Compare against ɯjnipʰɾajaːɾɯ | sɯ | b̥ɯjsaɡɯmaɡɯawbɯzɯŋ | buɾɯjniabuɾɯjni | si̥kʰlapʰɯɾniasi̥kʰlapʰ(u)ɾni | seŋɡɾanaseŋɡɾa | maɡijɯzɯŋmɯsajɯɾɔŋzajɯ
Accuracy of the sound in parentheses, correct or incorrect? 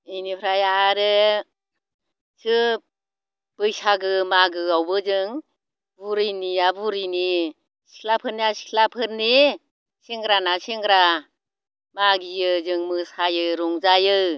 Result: incorrect